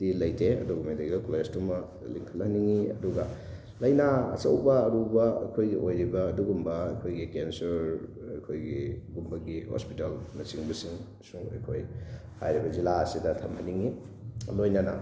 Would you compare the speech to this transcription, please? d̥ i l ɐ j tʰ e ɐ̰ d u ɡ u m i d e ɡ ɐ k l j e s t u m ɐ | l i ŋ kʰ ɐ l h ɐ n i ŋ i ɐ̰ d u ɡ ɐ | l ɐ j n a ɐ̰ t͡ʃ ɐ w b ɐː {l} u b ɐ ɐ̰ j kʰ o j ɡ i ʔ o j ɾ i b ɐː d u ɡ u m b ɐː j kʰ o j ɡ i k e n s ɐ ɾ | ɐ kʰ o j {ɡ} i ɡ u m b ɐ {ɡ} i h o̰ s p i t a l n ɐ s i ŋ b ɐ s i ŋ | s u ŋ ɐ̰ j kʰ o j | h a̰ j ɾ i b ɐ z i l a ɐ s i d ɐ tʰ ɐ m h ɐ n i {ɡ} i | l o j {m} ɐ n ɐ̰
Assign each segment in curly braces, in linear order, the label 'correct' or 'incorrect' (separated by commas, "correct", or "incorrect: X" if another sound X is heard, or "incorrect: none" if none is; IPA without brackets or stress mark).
incorrect: ɾ, correct, correct, incorrect: ŋ, incorrect: n